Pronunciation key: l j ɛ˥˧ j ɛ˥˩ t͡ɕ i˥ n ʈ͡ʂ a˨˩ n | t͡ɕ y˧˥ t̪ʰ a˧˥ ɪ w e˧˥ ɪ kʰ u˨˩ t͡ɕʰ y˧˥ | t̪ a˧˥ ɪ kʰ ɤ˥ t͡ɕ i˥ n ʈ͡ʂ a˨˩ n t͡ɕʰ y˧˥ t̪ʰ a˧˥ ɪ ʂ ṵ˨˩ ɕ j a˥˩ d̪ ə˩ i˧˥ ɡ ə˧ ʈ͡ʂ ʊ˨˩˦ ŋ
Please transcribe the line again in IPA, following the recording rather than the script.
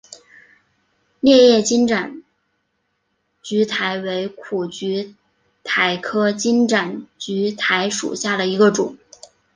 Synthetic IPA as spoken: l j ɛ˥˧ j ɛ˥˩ t͡ɕ i˥ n ʈ͡ʂ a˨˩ n | t͡ɕ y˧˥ t̪ʰ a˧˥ ɪ w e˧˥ ɪ kʰ u˨˩ t͡ɕ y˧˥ | t̪ʰ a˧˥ ɪ kʰ ɤ˥ t͡ɕ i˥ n ʈ͡ʂ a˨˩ n t͡ɕ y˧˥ t̪ʰ a˧˥ ɪ ʂ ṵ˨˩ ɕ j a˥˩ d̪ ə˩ i˧˥ ɡ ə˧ ʈ͡ʂ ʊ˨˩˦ ŋ

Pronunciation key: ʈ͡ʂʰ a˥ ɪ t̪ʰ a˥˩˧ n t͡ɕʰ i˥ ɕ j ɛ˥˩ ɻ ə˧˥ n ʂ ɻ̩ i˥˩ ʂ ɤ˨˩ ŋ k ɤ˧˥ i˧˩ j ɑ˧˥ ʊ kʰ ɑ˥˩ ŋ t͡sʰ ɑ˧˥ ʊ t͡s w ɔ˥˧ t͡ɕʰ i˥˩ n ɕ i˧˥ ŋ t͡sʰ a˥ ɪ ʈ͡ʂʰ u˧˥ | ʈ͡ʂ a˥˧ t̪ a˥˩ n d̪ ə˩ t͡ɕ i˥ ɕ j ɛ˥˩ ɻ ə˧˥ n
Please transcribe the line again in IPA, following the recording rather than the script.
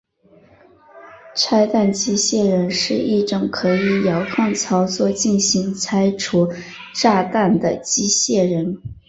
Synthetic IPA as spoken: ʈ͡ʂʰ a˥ ɪ t̪ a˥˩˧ n t͡ɕ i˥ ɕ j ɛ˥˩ ɻ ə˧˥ n ʂ ɻ̩ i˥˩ ʈ͡ʂ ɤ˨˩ ŋ kʰ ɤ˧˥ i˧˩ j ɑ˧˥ ʊ kʰ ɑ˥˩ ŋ t͡sʰ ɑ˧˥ ʊ t͡s w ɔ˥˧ t͡ɕ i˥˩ n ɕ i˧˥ ŋ t͡sʰ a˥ ɪ ʈ͡ʂʰ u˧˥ | ʈ͡ʂ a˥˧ t̪ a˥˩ n d̪ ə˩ t͡ɕ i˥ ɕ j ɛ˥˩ ɻ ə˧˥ n

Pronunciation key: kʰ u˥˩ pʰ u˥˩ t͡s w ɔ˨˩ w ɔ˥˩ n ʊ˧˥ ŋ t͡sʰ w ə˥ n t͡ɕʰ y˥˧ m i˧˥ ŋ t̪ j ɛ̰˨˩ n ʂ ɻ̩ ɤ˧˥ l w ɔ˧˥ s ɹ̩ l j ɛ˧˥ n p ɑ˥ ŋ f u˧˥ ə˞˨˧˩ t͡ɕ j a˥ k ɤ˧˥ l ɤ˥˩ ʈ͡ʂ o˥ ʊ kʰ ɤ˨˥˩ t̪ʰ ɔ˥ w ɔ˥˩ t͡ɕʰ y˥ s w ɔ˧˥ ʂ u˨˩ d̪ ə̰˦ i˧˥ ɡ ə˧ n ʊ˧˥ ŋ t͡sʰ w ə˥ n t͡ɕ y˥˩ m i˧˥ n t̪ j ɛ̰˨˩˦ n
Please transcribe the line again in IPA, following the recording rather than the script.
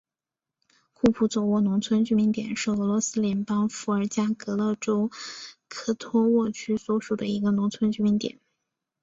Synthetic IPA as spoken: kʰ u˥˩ pʰ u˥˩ t͡s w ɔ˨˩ w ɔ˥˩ n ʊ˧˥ ŋ t͡sʰ w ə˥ n t͡ɕ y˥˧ m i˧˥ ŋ t̪ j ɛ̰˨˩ n ʂ ɻ̩ ɤ˧˥ l w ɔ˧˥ s ɹ̩ l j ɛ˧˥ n p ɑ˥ ŋ f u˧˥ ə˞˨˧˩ t͡ɕ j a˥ k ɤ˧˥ l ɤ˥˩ ʈ͡ʂ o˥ ʊ kʰ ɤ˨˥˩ t̪ʰ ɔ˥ w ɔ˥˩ t͡ɕʰ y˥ s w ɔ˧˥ ʂ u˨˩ d̪ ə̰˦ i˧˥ ɡ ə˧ n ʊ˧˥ ŋ t͡sʰ w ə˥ n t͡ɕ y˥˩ m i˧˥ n t̪ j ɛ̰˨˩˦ n

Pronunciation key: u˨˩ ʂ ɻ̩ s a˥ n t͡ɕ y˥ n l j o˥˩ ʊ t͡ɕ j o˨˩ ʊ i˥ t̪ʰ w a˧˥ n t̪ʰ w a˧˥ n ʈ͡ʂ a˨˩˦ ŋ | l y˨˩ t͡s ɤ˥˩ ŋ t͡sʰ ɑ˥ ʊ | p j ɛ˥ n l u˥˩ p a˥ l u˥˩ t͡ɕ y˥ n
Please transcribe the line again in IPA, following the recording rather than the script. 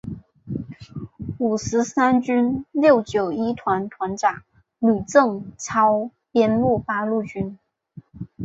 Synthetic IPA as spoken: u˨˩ ʂ ɻ̩ s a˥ n t͡ɕ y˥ n l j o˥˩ ʊ t͡ɕ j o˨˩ ʊ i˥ t̪ʰ w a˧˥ n t̪ʰ w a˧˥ n ʈ͡ʂ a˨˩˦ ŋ | l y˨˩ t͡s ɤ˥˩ ŋ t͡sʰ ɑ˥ ʊ | p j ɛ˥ n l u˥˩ p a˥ l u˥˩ t͡ɕ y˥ n

